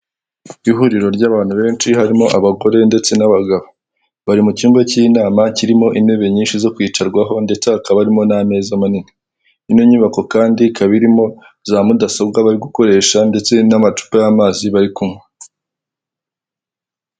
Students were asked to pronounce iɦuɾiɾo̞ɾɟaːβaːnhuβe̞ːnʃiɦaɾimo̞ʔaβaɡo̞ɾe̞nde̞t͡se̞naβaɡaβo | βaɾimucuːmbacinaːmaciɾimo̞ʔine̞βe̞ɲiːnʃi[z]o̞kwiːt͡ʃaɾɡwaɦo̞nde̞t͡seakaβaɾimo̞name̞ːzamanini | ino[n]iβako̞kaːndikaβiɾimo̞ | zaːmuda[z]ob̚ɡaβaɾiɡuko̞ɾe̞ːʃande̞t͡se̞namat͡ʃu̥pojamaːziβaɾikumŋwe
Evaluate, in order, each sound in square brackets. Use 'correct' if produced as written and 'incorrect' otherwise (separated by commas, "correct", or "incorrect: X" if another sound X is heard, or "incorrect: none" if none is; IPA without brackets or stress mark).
correct, incorrect: ɲ, incorrect: s